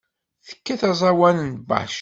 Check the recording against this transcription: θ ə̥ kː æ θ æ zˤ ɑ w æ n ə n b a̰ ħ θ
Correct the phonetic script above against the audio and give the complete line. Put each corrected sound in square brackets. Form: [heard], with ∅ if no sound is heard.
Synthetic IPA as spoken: θ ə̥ kː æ θ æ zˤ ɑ w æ n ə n b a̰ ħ [ʃ]